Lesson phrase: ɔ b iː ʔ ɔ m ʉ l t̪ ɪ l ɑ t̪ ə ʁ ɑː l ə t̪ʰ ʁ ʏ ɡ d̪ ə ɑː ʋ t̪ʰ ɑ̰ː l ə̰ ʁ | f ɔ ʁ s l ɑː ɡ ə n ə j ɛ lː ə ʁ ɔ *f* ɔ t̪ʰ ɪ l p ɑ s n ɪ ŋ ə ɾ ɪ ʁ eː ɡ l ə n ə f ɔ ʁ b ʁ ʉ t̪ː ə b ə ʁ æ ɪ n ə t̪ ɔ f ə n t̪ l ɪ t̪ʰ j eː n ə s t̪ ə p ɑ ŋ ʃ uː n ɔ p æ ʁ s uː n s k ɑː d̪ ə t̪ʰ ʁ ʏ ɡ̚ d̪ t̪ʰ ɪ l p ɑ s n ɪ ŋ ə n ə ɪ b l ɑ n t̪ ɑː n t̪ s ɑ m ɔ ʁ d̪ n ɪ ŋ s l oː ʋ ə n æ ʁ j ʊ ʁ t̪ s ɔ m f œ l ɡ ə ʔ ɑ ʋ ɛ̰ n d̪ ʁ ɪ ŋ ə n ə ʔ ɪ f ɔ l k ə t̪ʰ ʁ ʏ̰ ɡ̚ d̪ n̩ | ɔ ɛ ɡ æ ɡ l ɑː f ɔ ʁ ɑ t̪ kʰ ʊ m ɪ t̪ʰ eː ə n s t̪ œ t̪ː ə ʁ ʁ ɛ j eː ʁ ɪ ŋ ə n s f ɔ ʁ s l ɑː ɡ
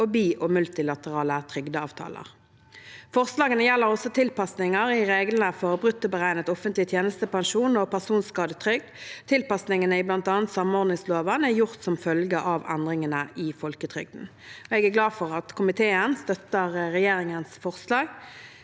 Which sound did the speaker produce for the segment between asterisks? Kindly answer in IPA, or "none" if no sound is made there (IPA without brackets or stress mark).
s